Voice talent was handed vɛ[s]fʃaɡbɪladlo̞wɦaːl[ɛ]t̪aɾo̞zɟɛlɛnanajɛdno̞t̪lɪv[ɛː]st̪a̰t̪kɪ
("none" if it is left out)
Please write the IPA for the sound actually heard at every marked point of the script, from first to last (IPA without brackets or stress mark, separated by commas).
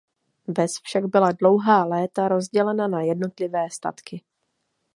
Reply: s, ɛː, ɛː